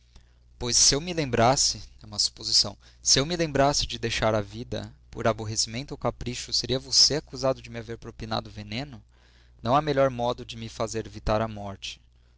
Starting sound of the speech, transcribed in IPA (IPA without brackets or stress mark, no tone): p